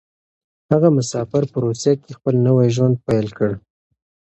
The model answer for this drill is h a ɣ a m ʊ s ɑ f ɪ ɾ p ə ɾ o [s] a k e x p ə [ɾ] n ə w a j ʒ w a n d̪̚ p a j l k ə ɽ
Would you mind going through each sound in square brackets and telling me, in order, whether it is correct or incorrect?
correct, incorrect

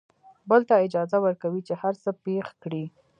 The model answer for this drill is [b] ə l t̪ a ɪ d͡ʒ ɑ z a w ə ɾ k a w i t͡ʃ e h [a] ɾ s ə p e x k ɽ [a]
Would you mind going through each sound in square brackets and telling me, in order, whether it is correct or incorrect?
correct, correct, incorrect

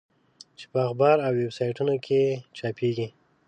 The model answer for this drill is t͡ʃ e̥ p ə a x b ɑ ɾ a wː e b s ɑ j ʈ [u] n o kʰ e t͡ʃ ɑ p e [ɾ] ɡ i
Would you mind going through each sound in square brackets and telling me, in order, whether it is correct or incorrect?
correct, incorrect

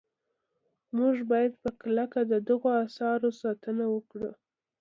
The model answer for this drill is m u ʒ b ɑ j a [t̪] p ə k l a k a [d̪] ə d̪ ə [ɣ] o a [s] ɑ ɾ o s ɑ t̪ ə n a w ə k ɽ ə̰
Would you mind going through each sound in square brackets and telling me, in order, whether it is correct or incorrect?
incorrect, correct, correct, correct

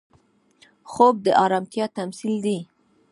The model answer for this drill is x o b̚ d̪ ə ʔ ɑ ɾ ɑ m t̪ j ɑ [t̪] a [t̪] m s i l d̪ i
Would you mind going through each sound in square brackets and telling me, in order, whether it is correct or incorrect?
correct, incorrect

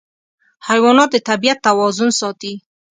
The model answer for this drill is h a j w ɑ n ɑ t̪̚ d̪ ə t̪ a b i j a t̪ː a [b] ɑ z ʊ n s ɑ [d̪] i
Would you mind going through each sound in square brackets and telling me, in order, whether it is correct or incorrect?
incorrect, incorrect

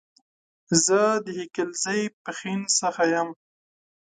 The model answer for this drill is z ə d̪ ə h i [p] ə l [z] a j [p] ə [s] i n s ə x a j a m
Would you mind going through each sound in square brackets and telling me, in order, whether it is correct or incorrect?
incorrect, correct, correct, incorrect

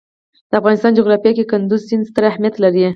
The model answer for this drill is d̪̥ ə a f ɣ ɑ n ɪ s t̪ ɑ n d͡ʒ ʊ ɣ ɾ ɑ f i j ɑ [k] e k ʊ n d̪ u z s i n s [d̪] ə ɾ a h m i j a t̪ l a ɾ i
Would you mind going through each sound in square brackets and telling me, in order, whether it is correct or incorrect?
correct, incorrect

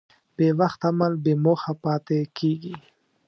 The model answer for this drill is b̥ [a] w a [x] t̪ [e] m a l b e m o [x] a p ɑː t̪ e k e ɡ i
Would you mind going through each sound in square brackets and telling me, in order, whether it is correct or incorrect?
incorrect, correct, incorrect, correct

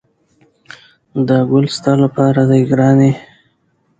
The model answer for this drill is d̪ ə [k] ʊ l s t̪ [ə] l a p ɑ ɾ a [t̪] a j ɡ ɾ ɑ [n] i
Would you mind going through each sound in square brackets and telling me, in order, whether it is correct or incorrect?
incorrect, incorrect, incorrect, correct

